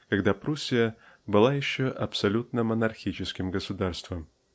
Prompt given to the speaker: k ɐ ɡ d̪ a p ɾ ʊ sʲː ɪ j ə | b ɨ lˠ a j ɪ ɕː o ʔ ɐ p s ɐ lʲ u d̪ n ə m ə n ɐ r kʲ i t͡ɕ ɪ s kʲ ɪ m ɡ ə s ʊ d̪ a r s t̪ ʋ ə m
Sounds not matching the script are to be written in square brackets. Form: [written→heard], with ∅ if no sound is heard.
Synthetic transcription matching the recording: k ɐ ɡ d̪ a p ɾ [ʊ→u] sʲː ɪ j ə | b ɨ lˠ a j ɪ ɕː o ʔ ɐ p s ɐ lʲ u [d̪→t̪] n ə m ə n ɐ r [kʲ→xʲ] i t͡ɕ ɪ s kʲ ɪ m ɡ ə s ʊ d̪ a r s t̪ [ʋ→v] ə m